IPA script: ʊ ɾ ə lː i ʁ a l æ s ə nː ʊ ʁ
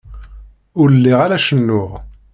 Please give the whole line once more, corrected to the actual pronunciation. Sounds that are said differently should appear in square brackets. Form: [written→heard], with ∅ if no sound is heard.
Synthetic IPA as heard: ʊ ɾ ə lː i ʁ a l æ [s→ʃ] ə nː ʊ ʁ